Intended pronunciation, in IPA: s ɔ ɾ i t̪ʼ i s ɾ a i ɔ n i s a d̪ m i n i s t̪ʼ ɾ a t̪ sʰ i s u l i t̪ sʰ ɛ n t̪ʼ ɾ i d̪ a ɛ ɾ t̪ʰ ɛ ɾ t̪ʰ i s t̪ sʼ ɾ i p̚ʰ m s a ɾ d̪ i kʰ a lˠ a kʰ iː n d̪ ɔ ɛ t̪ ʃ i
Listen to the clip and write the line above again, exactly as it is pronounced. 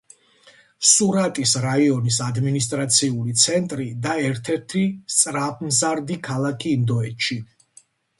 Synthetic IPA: s u ɾ a t̪ʼ i s ɾ a i ɔ n i s a d̪ m i n i s t̪ʼ ɾ a t̪ sʰ i u l i t̪ sʰ ɛ n t̪ʼ ɾ i d̪ a ɛ ɾ t̪ʰ ɛ ɾ t̪ʰ i s t̪ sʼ ɾ a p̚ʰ m z a ɾ d̪ i kʰ a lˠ a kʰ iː n d̪ ɔ ɛ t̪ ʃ i